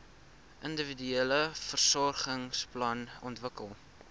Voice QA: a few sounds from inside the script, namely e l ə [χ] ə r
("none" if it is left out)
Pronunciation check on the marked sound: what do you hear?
f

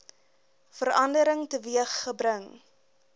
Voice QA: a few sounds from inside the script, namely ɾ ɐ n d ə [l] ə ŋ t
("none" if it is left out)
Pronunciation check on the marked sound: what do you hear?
ɾ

